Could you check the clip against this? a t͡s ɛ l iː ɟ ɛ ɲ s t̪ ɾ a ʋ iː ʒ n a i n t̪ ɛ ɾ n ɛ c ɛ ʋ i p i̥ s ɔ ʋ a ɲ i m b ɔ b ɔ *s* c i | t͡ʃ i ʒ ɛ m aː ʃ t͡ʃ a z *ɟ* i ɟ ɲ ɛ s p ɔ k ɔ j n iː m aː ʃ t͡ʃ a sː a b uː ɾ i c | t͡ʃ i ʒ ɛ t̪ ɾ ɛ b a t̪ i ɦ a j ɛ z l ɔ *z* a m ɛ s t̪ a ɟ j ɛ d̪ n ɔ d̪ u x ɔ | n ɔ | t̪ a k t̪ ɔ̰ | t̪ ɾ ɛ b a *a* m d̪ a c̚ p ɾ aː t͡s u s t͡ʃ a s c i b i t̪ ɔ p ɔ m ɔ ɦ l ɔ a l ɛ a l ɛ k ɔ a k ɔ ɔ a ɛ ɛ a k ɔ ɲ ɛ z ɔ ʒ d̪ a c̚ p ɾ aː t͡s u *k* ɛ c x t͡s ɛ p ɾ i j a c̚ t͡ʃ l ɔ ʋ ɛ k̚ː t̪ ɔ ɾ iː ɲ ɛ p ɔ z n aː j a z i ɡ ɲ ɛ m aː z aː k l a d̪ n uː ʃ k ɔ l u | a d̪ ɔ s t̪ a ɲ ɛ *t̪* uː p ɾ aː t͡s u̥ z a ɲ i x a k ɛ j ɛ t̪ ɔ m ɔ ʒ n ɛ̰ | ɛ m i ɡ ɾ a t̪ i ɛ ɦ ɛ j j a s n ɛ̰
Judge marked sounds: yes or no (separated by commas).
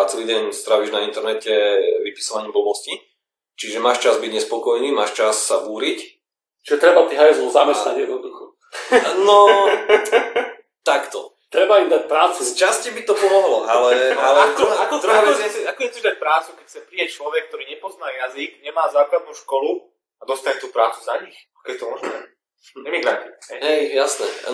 yes, no, yes, no, yes, yes